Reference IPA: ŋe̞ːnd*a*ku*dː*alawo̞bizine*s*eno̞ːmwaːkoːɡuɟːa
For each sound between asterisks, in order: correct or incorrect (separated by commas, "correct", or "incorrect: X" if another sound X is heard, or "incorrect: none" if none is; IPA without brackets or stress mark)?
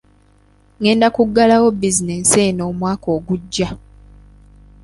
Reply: correct, incorrect: ɡː, correct